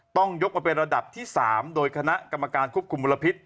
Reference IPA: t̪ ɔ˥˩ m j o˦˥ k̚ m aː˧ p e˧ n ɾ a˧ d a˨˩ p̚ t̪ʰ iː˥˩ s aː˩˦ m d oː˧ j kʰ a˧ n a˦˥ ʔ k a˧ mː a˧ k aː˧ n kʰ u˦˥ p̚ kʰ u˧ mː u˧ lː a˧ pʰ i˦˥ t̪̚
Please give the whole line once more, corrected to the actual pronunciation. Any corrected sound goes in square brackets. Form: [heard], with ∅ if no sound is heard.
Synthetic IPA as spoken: t̪ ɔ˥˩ [ŋ] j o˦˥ k̚ m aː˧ p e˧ n ɾ a˧ d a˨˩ p̚ t̪ʰ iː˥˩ s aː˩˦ m d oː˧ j kʰ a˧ n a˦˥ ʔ k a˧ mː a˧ k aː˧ n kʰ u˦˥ p̚ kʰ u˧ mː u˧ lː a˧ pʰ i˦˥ t̪̚